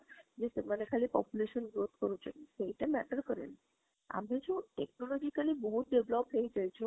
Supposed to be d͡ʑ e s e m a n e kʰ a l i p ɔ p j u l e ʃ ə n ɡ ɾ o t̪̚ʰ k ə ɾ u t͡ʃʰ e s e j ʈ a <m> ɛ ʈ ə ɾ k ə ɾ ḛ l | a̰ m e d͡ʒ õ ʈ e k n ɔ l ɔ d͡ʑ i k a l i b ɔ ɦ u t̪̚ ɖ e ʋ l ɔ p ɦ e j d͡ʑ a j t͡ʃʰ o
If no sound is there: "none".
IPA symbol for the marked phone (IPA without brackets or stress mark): m